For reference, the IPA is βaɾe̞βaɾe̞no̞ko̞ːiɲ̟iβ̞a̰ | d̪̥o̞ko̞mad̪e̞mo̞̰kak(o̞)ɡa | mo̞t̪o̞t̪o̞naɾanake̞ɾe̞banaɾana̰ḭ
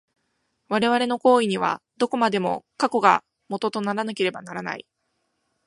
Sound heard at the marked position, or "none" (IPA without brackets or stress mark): o̞